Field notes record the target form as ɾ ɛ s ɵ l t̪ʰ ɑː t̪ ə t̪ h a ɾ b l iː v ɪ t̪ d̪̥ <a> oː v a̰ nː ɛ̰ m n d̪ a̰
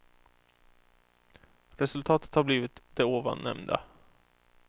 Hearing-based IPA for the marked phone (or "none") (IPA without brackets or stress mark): ɛ